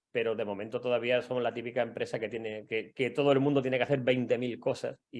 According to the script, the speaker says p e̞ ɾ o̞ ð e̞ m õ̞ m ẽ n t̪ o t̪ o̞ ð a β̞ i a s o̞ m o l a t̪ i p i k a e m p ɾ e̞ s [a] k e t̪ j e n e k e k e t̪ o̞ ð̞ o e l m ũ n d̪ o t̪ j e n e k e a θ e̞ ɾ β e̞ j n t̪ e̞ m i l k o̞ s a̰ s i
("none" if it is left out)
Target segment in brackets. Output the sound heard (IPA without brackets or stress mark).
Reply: a